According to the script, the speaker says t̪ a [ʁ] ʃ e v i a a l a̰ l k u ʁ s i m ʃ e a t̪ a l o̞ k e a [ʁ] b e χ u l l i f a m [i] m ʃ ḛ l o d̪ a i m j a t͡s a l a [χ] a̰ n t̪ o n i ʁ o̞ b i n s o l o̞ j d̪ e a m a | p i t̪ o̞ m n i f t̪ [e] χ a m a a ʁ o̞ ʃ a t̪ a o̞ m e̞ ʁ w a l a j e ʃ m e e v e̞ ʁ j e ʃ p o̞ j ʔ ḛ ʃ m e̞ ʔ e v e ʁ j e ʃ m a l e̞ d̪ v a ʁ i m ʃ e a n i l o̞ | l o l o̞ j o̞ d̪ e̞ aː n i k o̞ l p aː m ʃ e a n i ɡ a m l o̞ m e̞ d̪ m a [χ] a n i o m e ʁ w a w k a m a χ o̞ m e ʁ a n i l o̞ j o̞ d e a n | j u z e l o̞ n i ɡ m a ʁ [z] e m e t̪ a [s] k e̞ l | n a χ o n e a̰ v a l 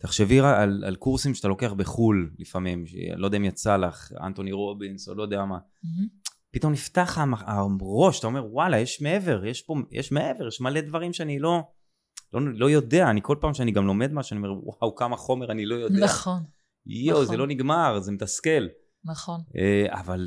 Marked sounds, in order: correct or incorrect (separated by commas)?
incorrect, incorrect, correct, correct, incorrect, incorrect, correct, correct